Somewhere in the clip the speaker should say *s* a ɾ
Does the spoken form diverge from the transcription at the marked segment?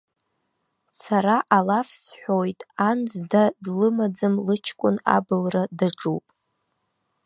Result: no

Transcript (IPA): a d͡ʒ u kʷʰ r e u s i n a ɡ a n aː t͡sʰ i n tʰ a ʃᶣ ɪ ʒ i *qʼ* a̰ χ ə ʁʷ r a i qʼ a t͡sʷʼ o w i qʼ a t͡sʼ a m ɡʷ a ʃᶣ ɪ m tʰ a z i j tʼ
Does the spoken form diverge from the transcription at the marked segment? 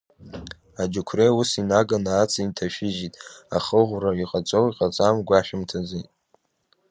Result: yes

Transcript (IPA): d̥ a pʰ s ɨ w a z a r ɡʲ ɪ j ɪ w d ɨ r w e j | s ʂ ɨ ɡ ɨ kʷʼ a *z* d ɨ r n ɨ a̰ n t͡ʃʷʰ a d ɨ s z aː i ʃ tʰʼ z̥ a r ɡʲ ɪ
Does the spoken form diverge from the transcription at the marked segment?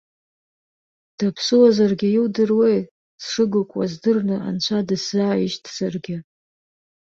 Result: no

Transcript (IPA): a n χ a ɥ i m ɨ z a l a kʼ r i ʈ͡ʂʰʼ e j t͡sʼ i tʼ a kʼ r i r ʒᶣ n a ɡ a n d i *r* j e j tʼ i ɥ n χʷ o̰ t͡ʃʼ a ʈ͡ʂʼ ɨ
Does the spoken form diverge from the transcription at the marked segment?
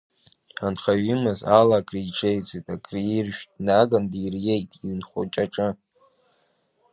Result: no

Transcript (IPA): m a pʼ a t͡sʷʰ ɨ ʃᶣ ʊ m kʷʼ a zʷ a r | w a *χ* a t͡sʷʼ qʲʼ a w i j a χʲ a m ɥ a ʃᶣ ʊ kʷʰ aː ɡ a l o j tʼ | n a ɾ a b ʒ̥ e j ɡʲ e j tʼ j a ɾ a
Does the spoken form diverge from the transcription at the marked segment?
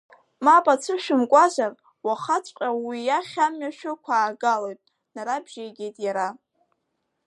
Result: no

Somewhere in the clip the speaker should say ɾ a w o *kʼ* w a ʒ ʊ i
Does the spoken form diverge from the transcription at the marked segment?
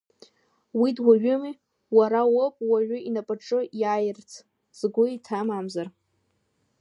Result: yes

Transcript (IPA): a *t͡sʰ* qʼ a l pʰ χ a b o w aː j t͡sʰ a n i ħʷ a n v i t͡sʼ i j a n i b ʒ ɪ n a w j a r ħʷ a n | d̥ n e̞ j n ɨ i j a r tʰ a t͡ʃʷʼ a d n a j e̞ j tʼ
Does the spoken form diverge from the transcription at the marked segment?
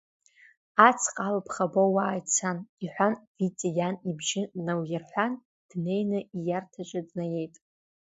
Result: no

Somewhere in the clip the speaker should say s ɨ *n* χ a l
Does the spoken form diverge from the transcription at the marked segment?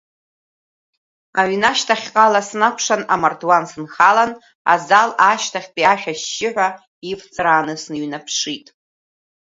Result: no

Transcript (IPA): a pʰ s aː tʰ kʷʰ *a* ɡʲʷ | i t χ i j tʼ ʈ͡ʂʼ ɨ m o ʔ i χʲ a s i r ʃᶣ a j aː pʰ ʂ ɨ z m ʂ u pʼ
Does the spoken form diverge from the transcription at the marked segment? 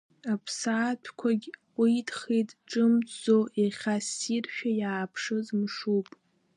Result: no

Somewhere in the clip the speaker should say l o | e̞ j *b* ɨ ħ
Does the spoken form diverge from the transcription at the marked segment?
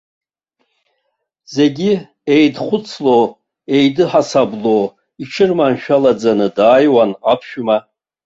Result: yes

